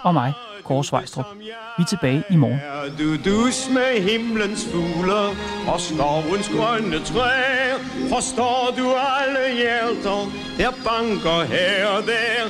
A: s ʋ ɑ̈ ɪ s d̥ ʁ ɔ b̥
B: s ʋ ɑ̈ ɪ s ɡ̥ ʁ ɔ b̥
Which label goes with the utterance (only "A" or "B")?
A